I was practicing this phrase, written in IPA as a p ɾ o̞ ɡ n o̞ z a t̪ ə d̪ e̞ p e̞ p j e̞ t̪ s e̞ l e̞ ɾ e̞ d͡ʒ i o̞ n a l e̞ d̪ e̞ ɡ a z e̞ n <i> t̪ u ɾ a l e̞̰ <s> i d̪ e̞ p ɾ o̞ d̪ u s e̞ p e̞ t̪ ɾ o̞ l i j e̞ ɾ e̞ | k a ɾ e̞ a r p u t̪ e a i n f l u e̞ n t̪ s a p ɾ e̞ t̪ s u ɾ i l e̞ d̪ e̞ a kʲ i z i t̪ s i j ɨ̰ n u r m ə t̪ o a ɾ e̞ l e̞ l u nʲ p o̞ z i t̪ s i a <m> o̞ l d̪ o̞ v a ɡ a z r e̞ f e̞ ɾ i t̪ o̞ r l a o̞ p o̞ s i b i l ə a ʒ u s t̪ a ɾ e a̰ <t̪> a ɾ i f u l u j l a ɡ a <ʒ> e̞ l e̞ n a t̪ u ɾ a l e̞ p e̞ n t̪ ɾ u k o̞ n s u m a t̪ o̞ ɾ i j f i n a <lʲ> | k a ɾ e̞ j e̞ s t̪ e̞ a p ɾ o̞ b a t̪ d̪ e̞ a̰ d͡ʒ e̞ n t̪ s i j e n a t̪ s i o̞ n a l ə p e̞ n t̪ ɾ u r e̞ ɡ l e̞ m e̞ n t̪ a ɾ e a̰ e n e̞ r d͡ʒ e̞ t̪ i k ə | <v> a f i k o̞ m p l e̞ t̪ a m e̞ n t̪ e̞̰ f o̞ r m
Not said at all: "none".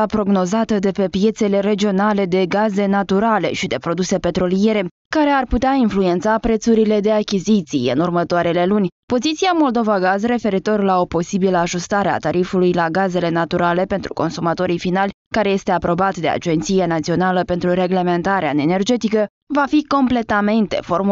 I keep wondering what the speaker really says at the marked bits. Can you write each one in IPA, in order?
a, ʃ, m, t̪, z, lʲ, v

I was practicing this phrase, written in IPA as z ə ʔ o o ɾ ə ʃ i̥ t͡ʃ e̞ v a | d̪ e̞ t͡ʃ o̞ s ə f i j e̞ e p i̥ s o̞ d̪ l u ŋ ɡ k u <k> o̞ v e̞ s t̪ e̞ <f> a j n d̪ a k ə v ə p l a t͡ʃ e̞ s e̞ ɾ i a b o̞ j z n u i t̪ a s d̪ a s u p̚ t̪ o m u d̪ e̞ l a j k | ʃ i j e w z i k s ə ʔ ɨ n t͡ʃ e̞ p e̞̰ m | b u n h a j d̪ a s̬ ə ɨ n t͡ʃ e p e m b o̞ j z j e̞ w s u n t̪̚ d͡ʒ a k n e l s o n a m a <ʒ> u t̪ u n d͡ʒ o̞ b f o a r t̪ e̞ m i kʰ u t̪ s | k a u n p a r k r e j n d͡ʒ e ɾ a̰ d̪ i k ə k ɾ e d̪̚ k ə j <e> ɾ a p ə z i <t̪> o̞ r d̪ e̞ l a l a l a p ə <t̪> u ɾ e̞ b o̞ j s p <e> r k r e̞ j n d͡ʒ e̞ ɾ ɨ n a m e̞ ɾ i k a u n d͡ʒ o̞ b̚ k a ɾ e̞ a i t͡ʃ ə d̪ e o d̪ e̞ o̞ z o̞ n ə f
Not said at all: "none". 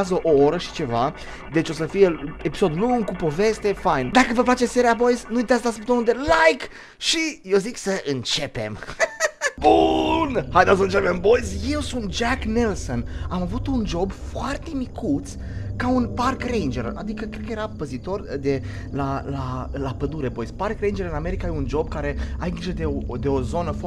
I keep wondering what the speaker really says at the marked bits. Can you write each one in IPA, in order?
p, f, v, e, t̪, d̪, a

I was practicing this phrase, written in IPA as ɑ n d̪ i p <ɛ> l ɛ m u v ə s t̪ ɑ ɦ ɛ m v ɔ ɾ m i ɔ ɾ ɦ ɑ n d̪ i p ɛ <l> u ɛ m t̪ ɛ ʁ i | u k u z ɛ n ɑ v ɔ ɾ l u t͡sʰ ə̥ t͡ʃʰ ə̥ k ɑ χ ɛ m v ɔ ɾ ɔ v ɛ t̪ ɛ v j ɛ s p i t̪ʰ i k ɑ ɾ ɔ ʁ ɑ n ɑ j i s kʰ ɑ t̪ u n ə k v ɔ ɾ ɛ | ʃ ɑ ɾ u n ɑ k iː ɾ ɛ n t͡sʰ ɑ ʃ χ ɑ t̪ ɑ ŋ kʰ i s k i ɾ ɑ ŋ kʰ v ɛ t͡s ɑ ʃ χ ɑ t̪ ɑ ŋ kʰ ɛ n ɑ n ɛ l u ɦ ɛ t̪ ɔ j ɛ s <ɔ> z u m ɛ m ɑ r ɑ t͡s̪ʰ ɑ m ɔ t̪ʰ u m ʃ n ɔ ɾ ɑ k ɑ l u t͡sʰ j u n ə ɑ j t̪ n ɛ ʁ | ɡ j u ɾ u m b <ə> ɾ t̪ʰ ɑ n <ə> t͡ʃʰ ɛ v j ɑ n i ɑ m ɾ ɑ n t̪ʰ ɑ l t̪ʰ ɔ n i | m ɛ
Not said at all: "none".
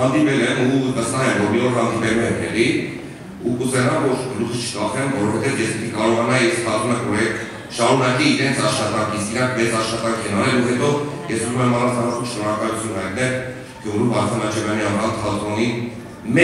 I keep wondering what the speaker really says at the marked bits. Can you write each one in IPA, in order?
ɛ, l, u, ɑ, ɑ

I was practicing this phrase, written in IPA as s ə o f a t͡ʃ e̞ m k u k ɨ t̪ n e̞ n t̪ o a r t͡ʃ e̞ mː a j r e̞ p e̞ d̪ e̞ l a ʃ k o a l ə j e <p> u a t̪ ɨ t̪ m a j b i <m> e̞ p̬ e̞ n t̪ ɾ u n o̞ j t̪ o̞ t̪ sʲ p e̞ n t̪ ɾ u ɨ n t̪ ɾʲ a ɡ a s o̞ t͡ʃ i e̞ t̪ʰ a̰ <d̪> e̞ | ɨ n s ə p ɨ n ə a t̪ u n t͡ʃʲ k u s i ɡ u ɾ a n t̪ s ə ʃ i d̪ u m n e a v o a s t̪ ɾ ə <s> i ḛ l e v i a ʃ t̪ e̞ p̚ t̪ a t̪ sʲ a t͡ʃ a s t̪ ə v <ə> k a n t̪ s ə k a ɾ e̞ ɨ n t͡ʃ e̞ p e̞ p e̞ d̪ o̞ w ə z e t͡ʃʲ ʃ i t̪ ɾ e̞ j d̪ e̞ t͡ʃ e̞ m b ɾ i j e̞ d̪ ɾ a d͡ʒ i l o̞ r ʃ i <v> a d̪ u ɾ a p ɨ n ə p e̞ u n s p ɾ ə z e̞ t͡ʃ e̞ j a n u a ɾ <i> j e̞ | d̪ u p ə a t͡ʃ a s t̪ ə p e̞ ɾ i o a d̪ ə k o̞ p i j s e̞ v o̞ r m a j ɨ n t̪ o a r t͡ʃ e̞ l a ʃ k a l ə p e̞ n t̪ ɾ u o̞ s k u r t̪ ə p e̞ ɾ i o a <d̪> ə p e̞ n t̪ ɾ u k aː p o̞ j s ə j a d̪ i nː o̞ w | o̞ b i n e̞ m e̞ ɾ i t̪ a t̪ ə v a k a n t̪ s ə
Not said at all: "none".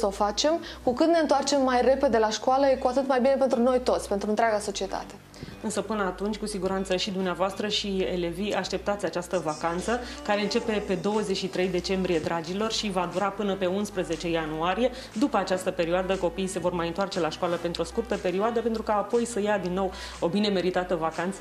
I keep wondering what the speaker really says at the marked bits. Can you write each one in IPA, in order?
k, n, t̪, ʃ, a, v, i, d̪

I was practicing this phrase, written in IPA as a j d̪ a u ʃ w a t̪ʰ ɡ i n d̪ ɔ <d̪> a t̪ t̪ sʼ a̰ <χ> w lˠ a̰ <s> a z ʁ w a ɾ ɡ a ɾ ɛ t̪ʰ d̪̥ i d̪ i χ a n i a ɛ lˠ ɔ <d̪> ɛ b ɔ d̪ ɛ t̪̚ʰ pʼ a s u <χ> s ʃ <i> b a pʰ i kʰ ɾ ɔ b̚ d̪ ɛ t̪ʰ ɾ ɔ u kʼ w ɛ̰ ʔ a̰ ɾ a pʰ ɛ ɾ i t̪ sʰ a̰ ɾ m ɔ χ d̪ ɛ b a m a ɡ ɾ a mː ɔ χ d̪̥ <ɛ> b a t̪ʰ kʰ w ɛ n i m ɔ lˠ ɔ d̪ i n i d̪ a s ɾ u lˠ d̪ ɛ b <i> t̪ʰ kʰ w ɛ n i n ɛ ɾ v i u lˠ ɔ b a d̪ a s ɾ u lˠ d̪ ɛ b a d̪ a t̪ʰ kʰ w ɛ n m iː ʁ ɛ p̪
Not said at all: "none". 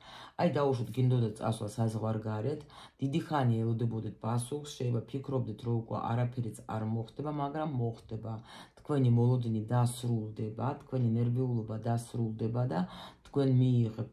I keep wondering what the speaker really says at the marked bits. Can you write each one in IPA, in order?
d̪, s, s, d̪, χ, ɛ, ɛ, a

